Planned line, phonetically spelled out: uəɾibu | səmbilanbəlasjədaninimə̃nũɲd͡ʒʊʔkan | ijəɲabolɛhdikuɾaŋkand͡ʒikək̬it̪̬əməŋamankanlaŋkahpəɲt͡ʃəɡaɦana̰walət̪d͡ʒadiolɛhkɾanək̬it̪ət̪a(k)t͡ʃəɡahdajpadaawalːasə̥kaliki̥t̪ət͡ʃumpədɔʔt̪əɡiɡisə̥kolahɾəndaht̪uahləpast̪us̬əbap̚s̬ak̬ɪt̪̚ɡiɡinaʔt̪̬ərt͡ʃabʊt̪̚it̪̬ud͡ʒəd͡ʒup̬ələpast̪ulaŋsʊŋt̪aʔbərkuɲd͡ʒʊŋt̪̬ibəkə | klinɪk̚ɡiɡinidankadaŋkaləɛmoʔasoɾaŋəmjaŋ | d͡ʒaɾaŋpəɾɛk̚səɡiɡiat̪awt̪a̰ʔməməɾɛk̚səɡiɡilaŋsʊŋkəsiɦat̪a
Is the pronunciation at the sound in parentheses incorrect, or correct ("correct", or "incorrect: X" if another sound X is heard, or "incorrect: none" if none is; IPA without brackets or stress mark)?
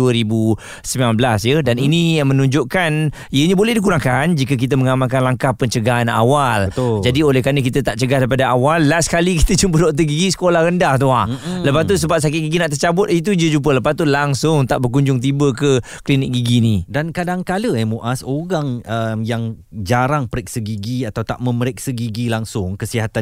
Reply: incorrect: ʔ